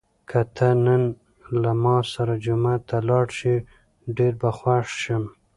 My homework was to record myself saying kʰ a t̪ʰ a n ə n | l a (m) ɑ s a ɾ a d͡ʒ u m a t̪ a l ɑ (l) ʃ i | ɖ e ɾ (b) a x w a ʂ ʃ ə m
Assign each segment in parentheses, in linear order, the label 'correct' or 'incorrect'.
correct, incorrect: ɽ, correct

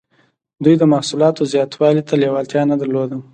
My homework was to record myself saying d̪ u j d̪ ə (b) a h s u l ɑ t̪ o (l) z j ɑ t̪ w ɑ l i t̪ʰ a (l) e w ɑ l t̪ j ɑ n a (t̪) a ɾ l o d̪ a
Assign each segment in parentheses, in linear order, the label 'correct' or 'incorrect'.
incorrect: m, incorrect: none, correct, incorrect: d̪

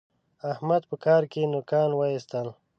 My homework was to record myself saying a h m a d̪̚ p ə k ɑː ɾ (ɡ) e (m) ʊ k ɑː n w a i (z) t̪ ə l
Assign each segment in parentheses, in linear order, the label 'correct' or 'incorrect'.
incorrect: k, incorrect: n, incorrect: s

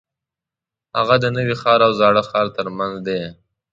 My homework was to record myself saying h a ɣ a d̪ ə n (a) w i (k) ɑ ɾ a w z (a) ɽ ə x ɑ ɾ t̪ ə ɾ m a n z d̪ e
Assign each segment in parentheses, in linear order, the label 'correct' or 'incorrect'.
incorrect: ə, incorrect: x, incorrect: ɑ

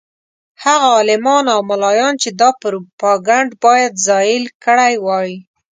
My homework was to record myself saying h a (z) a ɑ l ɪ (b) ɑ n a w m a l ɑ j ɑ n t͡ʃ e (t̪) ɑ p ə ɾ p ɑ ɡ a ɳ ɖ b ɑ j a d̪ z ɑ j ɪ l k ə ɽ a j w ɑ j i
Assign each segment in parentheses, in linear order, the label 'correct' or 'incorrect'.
incorrect: ɣ, incorrect: m, incorrect: d̪

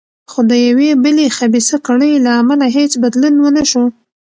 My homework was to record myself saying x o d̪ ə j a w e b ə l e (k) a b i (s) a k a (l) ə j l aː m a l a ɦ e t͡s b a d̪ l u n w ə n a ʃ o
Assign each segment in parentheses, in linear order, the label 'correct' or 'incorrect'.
incorrect: x, correct, incorrect: ɽ

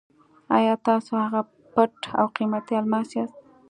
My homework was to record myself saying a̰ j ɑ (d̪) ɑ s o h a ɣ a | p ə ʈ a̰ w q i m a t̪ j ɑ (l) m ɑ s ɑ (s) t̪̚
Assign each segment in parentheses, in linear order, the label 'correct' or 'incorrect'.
incorrect: t̪, correct, correct

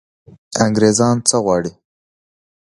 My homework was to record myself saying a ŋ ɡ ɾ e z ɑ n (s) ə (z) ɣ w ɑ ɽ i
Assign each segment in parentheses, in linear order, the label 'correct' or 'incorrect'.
incorrect: t͡s, incorrect: none

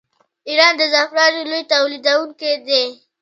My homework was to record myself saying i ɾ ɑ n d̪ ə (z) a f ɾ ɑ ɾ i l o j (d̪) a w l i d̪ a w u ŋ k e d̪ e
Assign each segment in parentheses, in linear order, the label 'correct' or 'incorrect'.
correct, incorrect: t̪

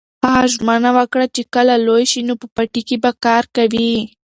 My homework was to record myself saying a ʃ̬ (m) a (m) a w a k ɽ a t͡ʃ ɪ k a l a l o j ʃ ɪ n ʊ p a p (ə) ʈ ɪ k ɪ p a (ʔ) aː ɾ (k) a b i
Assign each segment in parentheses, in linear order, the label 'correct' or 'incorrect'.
correct, incorrect: n, incorrect: a, incorrect: k, correct

